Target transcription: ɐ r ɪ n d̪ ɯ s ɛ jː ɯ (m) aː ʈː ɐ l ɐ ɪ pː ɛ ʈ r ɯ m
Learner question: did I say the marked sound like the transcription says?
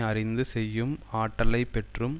yes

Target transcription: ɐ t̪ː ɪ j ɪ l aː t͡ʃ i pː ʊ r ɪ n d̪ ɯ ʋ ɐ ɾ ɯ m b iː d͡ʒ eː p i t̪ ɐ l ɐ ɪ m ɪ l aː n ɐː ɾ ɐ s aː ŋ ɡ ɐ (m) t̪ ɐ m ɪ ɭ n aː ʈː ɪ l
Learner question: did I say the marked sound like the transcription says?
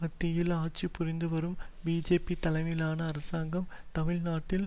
yes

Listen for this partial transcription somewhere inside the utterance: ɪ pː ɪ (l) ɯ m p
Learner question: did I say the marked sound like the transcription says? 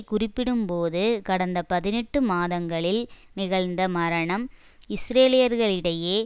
no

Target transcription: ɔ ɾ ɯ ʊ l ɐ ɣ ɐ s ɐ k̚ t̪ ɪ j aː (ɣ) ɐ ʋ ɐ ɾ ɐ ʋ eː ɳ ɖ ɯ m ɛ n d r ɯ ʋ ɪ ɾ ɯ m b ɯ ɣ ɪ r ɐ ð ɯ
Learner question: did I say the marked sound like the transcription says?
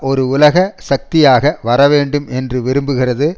yes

